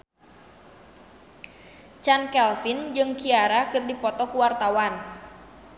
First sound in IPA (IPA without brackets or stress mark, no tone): t͡ʃ